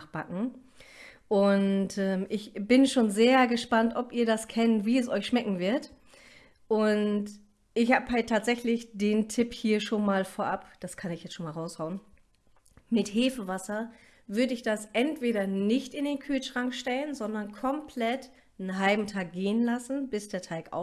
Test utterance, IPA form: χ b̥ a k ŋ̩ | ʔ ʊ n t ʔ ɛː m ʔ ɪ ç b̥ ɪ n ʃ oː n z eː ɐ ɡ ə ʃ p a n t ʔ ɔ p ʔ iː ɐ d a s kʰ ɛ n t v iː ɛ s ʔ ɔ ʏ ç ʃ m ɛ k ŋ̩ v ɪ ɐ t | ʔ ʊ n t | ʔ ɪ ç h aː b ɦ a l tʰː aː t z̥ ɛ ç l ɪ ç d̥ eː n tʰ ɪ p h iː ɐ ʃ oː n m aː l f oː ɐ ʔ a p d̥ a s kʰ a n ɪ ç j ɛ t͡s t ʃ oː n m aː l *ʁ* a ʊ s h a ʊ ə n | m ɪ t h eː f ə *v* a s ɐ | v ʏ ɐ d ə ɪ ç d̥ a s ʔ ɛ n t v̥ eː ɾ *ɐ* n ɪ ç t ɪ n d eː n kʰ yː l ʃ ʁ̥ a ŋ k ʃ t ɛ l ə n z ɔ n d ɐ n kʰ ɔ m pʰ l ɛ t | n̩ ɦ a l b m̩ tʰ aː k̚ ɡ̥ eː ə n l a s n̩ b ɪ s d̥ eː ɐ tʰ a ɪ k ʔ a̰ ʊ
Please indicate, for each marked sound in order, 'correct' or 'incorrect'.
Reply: correct, correct, correct

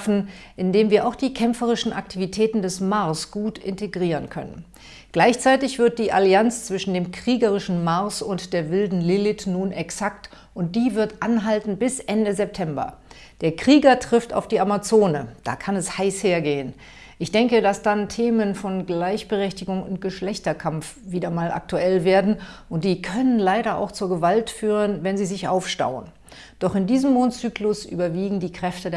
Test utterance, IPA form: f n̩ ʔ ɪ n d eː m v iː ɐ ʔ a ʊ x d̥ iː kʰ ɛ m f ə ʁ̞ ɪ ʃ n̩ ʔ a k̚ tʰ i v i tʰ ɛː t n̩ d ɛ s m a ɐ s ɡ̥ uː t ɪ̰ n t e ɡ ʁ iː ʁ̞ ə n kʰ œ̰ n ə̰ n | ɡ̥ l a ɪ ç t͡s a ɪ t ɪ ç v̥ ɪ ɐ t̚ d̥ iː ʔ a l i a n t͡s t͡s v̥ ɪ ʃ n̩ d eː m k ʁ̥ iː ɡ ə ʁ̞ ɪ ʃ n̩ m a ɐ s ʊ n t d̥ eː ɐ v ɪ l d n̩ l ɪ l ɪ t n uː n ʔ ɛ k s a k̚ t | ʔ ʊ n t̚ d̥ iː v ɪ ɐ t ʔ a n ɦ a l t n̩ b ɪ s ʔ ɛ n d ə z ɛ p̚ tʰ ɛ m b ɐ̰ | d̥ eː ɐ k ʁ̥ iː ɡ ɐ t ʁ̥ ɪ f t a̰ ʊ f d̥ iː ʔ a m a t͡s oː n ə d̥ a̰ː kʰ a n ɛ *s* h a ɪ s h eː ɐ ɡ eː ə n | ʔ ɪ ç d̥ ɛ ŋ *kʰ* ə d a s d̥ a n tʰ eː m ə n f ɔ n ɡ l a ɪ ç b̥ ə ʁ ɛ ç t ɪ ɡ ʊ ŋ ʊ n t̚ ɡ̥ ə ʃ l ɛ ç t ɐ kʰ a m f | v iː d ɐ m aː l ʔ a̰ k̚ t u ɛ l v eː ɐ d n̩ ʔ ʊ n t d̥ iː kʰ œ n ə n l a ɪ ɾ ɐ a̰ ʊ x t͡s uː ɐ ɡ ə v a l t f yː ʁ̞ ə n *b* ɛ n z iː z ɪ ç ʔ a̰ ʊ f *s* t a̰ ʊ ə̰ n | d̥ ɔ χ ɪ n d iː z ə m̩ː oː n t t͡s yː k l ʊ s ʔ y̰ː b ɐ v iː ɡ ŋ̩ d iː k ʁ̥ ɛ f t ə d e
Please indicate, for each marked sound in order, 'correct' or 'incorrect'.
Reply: correct, incorrect: k, incorrect: v, incorrect: ʃ

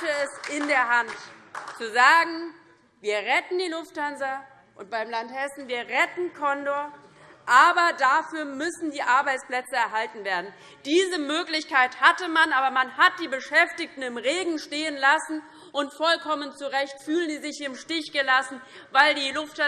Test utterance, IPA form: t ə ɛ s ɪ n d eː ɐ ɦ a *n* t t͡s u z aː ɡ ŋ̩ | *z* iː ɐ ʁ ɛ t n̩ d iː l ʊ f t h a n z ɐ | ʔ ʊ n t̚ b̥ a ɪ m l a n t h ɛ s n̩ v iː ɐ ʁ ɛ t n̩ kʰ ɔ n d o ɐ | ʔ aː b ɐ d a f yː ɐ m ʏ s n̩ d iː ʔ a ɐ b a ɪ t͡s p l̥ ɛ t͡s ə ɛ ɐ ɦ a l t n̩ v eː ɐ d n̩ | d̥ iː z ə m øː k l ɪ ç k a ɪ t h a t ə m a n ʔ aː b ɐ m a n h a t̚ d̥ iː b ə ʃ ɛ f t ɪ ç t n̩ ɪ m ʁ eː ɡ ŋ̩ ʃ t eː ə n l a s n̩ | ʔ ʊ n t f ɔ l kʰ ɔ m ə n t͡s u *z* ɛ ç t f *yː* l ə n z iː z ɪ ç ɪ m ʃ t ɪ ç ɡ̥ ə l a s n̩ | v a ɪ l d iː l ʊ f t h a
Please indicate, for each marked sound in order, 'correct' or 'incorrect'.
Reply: correct, incorrect: v, incorrect: ʁ, correct

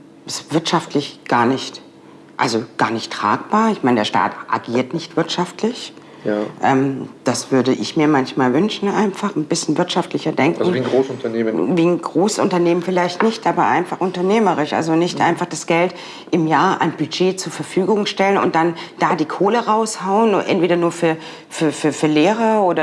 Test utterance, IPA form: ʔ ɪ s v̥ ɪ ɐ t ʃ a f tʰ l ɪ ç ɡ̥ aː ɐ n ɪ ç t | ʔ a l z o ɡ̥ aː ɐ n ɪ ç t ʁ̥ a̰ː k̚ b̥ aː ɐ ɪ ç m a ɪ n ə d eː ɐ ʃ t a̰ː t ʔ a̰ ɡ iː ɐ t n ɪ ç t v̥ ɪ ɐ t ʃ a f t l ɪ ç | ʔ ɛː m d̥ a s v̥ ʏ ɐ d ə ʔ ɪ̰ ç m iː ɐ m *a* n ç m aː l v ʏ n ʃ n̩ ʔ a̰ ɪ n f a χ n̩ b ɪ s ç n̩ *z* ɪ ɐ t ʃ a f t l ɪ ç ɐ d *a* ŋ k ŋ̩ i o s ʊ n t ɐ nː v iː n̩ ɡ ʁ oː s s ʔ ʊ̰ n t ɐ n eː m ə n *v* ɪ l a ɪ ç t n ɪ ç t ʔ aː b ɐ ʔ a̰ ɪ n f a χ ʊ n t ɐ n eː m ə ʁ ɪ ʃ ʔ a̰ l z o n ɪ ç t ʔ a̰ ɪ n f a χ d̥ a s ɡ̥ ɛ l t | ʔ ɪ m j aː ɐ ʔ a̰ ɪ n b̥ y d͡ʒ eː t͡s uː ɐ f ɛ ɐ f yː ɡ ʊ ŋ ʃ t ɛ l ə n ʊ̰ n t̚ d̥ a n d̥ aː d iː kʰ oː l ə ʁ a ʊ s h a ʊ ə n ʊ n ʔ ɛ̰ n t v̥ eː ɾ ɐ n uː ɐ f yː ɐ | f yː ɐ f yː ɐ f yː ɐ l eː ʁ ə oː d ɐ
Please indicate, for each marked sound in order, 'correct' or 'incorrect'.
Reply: correct, incorrect: v, incorrect: ɛ, incorrect: f

